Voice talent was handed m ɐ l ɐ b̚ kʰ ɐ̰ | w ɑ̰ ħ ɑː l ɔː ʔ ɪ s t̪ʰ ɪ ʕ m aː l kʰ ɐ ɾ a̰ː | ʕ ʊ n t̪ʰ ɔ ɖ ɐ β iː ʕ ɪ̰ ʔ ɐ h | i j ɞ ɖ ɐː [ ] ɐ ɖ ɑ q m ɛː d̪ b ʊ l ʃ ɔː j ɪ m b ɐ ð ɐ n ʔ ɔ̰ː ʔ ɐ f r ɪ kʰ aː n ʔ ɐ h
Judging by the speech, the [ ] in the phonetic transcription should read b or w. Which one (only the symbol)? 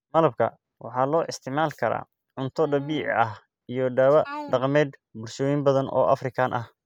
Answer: w